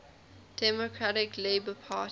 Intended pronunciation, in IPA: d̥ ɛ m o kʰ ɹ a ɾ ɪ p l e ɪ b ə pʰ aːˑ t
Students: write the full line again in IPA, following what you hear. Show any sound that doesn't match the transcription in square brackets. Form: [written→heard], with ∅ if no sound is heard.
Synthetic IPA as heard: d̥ ɛ m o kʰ ɹ a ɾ ɪ [p→k] l e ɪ b ə pʰ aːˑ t

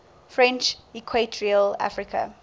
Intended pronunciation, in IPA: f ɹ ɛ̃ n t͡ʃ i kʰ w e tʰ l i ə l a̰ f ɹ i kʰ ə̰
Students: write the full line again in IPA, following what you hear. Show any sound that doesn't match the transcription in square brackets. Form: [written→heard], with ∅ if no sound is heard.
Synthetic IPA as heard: f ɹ ɛ̃ n t͡ʃ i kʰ w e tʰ [l→ɹ] i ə l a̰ f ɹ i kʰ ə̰

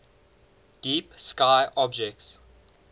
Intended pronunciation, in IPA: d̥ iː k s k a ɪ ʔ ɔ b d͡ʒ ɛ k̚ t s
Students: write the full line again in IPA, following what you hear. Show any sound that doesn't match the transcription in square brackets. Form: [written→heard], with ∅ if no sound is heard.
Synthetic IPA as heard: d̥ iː [k→p] s k a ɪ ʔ ɔ b d͡ʒ ɛ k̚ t s

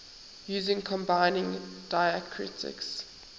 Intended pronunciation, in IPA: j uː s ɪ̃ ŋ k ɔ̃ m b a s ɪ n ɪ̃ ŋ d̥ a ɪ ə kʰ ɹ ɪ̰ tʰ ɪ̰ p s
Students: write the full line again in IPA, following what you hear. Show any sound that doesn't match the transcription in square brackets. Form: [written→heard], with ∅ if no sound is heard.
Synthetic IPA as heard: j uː [s→z] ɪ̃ ŋ [k→kʰ] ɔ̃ m b a [s→∅] ɪ n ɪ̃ ŋ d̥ a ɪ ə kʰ ɹ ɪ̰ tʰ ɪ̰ [p→k] s

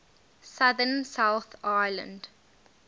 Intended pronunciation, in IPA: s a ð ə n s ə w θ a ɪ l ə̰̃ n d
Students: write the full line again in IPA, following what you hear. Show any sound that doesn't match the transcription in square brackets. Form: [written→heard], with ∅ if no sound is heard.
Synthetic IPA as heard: s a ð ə n s [ə→a] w θ a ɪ l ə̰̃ n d

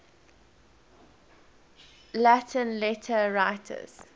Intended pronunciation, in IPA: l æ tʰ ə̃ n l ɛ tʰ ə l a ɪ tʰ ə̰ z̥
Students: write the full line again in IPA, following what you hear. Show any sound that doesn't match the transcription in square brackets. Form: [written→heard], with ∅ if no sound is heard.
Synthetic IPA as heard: l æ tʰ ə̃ n l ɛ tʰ ə [l→ɹ] a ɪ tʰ ə̰ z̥

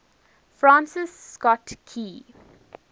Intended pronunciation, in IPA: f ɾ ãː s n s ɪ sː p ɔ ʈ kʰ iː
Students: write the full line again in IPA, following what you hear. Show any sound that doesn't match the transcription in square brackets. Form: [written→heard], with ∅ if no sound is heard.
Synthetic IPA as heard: f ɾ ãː [s→∅] n s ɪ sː [p→k] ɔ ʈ kʰ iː

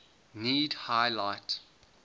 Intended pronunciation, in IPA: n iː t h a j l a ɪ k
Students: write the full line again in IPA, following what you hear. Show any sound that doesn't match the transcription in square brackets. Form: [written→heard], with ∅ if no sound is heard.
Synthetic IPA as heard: n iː [t→d] h a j l a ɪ [k→t]

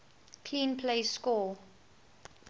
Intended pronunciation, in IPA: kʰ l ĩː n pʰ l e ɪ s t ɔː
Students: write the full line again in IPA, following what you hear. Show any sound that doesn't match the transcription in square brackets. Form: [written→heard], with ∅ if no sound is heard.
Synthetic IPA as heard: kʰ l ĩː n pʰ l e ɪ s [t→k] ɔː

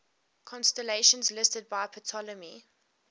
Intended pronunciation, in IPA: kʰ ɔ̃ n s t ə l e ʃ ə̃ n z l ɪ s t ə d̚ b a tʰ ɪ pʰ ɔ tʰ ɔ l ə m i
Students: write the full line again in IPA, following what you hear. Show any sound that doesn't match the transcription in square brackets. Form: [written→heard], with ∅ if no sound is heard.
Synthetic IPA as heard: kʰ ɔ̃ n s t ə l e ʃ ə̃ n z l ɪ s t ə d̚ b a [tʰ→∅] ɪ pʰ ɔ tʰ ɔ l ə m i

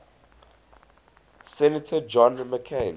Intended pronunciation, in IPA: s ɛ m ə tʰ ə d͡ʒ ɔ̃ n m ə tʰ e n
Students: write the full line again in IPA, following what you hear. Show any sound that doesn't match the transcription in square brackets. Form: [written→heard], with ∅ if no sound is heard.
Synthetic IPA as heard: s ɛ [m→n] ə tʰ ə d͡ʒ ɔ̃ n m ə [tʰ→kʰ] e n

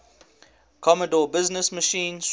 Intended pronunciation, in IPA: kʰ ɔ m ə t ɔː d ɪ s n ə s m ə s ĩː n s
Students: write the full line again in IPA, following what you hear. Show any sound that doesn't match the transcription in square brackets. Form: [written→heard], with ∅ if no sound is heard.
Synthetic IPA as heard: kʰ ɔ m ə [t→d] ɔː [d→b] ɪ [s→z] n ə s m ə [s→ʃ] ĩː n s

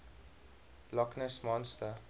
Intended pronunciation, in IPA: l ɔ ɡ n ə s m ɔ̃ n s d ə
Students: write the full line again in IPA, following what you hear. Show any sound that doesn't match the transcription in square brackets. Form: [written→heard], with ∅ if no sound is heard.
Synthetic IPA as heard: l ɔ [ɡ→k] n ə s m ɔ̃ n s [d→t] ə

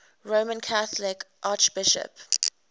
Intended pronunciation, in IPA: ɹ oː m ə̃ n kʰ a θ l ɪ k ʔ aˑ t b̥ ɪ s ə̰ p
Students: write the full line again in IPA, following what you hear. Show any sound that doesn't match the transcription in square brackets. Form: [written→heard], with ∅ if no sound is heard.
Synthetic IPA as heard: ɹ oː m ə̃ n kʰ a θ l ɪ k ʔ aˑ [t→t͡ʃ] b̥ ɪ [s→ʃ] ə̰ p

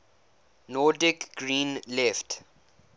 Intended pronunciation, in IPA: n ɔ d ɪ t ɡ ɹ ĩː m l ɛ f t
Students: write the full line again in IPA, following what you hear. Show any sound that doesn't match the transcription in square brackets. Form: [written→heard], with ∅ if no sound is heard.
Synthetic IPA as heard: n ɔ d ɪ [t→k] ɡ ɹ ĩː [m→n] l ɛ f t

